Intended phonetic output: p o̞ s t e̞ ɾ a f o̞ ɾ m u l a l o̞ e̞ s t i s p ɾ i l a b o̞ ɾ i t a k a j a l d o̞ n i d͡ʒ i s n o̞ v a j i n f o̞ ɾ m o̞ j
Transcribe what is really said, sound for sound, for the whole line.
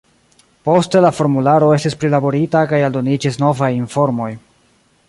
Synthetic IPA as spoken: p o̞ s t e̞ l a f o̞ ɾ m u l a ɾ o̞ e̞ s t i s p ɾ i l a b o̞ ɾ i t a k a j a l d o̞ n i d͡ʒ i s n o̞ v a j i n f o̞ ɾ m o̞ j

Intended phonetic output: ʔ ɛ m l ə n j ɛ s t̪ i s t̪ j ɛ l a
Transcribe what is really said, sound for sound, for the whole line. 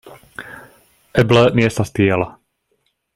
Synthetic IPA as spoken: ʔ ɛ b l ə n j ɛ s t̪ a s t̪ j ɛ l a

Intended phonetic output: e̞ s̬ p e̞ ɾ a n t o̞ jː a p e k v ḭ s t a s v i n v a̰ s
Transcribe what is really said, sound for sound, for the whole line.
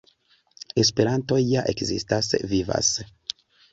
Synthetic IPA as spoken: e̞ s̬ p e̞ ɾ a n t o̞ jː a ʔ e k z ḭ s t a s v i v a̰ s

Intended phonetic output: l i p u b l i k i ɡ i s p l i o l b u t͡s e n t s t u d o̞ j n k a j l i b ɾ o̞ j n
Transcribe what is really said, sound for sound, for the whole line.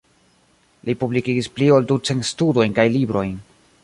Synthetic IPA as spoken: l i p u b l i k i ɡ i s p l i o l d u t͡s e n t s t u d o̞ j n k a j l i b ɾ o̞ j n

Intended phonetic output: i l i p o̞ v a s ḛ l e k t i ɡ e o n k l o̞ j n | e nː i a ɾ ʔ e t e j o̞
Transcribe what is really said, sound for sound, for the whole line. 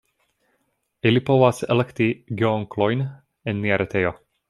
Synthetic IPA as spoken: i l i p o̞ v a s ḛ l e k t i ɡ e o ŋ k l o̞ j n | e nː i a ɾ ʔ e t e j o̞

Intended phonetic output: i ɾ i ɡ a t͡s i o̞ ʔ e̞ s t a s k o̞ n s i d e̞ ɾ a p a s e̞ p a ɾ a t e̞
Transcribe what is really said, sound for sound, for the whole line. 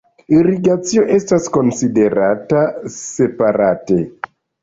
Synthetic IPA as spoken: i ɾ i ɡ a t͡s i o̞ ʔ e̞ s t a s k o̞ n s i d e̞ ɾ a t a s e̞ p a ɾ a t e̞

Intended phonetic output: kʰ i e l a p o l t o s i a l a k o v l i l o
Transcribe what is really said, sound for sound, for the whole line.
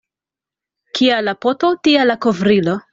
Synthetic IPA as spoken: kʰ i a l a p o t o t i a l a k o v ɾ i l o

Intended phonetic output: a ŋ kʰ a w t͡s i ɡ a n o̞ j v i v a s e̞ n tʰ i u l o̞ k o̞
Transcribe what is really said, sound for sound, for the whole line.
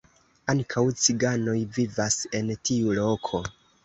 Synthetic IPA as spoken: a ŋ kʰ a w t͡s i ɡ a n o̞ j v i v a s e̞ n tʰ i u l o̞ kʰ o̞

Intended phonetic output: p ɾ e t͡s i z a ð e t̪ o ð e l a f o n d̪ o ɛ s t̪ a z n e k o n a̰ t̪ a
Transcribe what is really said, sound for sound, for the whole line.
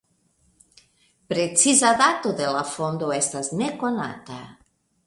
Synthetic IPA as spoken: p ɾ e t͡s i z a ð a t̪ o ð e l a f o n d̪ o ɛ s t̪ a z n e k o n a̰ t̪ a

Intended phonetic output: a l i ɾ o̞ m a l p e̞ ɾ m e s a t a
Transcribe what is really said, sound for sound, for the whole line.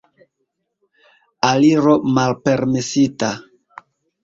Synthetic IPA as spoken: a l i ɾ o̞ m a l p e̞ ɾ m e s i t a

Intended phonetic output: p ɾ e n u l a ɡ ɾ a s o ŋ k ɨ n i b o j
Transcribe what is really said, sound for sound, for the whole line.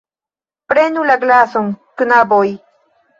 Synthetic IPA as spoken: p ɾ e n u l a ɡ l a s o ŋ k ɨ n a b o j

